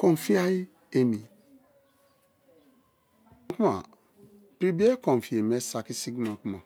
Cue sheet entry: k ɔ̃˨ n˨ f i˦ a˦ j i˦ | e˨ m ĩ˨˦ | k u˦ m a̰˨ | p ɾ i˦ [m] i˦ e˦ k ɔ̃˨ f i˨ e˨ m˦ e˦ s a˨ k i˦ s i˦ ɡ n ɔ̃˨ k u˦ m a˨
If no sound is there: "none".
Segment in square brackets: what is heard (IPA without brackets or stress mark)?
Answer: b